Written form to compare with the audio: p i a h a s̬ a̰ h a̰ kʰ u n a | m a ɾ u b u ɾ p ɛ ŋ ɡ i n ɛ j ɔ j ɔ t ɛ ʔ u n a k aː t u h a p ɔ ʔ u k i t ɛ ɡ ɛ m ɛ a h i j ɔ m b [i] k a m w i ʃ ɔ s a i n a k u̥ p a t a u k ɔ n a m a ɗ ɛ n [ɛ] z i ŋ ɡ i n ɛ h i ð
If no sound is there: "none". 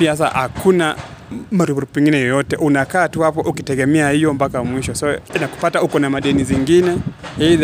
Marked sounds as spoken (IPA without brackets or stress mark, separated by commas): a, i